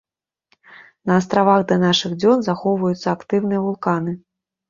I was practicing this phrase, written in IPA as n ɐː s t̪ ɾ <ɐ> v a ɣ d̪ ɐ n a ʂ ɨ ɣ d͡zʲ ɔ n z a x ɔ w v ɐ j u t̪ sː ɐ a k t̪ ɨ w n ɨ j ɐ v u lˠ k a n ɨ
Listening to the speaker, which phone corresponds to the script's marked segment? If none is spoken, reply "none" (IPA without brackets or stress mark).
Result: a